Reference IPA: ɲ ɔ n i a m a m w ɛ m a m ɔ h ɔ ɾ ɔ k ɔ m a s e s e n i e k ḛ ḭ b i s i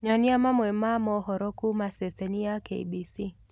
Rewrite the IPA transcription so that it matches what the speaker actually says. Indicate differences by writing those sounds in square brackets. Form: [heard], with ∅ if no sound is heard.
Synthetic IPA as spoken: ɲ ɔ n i a m a m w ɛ m a m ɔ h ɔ ɾ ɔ k [u] m a s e s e n i [a] k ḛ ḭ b i s i